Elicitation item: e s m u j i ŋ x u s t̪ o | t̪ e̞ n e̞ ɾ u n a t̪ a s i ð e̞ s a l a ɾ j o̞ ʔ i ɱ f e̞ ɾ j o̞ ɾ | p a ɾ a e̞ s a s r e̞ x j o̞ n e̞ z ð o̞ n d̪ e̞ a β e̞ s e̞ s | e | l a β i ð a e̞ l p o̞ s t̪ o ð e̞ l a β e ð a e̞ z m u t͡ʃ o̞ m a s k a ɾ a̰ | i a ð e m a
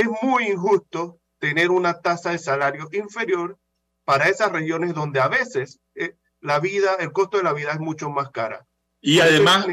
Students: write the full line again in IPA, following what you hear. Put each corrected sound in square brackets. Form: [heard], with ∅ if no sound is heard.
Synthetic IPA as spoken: e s m u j i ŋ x u s t̪ o | t̪ e̞ n e̞ ɾ u n a t̪ a s [a] ð e̞ s a l a ɾ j o̞ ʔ i ɱ f e̞ ɾ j o̞ ɾ | p a ɾ a e̞ s a s r e̞ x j o̞ n e̞ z ð o̞ n d̪ e̞ a β e̞ s e̞ s | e | l a β i ð a e̞ l [k] o̞ s t̪ o ð e̞ l a β [i] ð a e̞ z m u t͡ʃ o̞ m a s k a ɾ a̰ | i a ð e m a